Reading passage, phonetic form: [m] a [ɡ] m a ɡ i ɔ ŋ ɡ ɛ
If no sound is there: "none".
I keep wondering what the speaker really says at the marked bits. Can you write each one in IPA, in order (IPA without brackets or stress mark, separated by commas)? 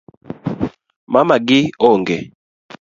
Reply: m, none